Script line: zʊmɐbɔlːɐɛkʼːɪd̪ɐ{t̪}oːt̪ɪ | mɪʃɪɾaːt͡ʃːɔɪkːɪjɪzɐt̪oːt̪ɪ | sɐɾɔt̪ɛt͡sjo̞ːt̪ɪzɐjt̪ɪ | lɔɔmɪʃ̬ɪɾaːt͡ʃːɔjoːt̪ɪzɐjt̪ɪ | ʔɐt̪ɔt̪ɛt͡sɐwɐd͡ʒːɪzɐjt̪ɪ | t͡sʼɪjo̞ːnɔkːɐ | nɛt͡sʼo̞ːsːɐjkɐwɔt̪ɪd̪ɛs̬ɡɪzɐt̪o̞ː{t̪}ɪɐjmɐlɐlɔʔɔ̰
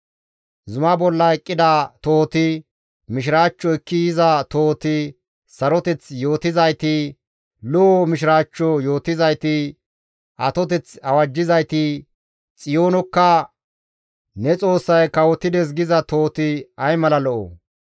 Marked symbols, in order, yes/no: yes, yes

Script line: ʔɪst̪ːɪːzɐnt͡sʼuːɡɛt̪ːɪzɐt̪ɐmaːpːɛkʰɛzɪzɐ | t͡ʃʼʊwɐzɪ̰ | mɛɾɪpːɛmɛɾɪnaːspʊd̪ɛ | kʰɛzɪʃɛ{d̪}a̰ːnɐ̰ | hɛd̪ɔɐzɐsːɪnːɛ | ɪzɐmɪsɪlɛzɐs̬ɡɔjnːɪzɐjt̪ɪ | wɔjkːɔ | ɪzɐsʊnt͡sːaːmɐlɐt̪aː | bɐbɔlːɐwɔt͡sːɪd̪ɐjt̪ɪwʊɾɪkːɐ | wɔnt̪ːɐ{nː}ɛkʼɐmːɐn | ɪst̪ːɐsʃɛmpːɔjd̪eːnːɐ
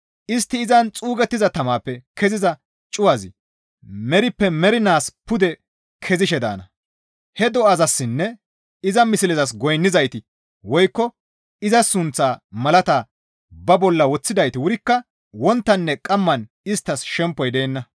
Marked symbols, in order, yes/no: yes, yes

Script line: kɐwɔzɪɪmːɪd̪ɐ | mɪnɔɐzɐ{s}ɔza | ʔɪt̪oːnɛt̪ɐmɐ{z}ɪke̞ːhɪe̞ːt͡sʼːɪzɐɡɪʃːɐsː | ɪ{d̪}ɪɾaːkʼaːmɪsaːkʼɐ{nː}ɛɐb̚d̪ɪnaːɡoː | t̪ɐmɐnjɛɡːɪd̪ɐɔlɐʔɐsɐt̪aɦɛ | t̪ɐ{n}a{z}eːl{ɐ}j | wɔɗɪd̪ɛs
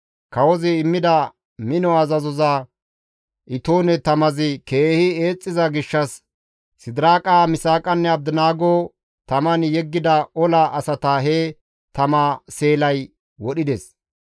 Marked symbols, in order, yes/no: no, yes, yes, yes, no, no, yes

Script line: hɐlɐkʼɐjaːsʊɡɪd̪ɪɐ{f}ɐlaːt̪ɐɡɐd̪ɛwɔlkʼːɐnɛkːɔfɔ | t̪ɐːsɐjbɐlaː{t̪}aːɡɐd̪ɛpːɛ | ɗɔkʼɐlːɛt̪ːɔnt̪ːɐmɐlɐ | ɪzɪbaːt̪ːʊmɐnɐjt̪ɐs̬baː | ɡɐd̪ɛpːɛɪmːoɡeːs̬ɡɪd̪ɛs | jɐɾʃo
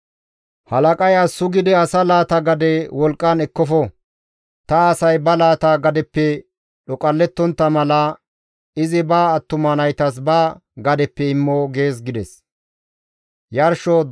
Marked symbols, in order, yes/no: no, yes

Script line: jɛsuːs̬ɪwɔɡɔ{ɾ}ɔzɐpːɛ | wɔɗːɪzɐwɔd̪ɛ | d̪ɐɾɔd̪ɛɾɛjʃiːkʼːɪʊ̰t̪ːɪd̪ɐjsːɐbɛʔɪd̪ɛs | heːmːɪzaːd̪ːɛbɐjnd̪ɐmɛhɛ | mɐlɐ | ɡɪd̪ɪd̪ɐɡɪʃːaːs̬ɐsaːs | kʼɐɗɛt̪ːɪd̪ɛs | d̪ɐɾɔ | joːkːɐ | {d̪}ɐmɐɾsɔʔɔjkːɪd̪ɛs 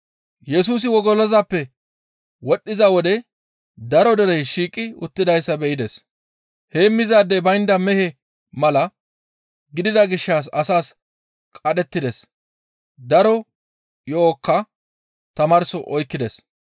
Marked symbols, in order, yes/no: no, no

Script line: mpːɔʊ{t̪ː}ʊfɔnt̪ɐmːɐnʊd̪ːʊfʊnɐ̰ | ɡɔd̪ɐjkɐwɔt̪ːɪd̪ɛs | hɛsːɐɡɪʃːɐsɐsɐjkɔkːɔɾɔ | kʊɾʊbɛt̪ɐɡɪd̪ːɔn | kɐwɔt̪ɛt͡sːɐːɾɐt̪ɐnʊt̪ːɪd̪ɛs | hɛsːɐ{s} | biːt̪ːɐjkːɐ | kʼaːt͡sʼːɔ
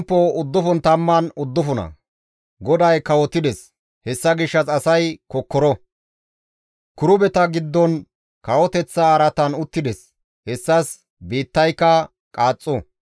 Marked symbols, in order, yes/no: no, yes

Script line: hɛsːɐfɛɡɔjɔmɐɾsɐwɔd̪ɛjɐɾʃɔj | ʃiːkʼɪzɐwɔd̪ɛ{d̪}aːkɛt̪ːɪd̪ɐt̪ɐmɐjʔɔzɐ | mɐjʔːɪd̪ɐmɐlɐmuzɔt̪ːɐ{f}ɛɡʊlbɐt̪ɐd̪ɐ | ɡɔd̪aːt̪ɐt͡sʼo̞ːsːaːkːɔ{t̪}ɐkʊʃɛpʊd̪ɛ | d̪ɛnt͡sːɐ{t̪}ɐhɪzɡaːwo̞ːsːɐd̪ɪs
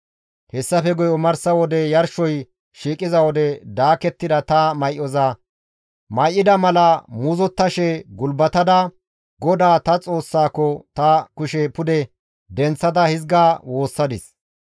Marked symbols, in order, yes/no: yes, no, yes, no

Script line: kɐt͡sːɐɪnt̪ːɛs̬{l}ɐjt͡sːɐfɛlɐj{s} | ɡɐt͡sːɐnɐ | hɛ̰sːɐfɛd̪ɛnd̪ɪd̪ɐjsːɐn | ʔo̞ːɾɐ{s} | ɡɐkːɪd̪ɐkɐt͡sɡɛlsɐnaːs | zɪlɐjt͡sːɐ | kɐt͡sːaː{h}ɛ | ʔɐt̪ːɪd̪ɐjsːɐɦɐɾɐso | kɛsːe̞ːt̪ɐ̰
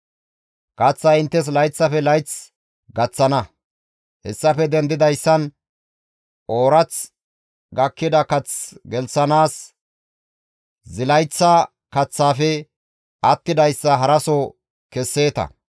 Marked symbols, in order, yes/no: yes, no, no, no

